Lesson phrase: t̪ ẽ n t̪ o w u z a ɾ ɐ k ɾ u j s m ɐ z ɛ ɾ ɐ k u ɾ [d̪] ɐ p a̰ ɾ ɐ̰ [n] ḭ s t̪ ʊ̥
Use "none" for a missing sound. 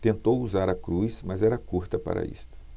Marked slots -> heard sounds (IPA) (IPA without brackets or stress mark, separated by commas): t̪, none